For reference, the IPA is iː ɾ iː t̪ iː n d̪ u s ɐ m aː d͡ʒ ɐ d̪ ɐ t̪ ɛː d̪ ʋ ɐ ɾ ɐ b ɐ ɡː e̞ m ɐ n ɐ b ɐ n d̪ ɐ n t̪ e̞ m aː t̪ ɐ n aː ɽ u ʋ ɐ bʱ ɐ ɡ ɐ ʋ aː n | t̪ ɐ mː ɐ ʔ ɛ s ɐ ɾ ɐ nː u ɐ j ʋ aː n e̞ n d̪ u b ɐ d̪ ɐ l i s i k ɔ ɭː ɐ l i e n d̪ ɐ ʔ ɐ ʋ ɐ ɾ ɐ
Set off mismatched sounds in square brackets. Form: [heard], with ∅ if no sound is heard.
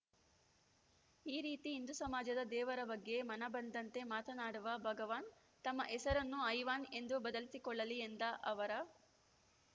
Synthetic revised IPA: iː ɾ iː t̪ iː n d̪ u s ɐ m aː d͡ʒ ɐ d̪ ɐ [d̪] ɛː [∅] ʋ ɐ ɾ ɐ b ɐ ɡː e̞ m ɐ n ɐ b ɐ n d̪ ɐ n t̪ e̞ m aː t̪ ɐ n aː ɽ u ʋ ɐ bʱ ɐ ɡ ɐ ʋ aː n | t̪ ɐ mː ɐ ʔ ɛ s ɐ ɾ ɐ nː u ɐ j ʋ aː n e̞ n d̪ u b ɐ d̪ ɐ l i s i k ɔ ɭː ɐ l i e n d̪ ɐ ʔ ɐ ʋ ɐ ɾ ɐ